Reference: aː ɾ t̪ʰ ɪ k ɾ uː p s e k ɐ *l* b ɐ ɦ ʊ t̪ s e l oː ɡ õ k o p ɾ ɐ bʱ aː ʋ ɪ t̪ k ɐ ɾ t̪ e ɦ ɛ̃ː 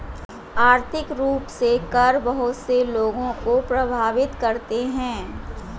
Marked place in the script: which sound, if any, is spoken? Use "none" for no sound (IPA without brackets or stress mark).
ɾ